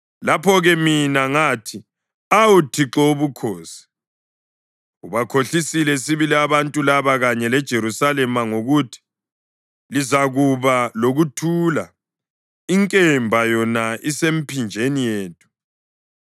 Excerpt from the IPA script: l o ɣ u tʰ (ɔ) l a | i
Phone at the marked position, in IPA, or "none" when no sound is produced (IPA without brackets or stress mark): u